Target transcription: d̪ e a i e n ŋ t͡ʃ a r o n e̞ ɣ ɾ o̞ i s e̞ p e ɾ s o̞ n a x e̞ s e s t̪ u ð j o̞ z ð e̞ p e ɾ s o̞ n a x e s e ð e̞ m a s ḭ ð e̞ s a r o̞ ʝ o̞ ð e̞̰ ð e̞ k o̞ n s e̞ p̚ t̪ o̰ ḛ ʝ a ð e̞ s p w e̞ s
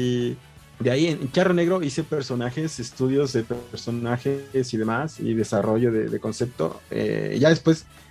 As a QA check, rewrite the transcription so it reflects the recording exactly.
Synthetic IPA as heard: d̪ e a i e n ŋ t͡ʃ a r o n e̞ ɣ ɾ o̞ i s e̞ p e ɾ s o̞ n a x e̞ s e s t̪ u ð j o̞ z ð e̞ p e ɾ s o̞ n a x e s i ð e̞ m a s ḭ ð e̞ s a r o̞ ʝ o̞ ð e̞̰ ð e̞ k o̞ n s e̞ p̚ t̪ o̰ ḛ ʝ a ð e̞ s p w e̞ s